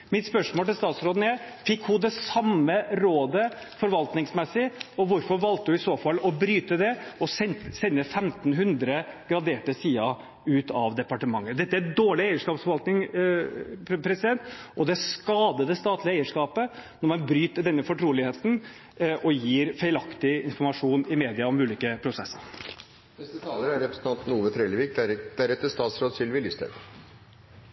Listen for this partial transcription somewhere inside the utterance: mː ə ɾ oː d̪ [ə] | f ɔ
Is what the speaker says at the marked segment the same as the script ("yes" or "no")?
yes